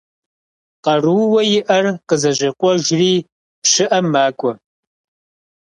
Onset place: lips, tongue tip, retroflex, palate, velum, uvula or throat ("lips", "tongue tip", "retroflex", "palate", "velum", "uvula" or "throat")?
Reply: uvula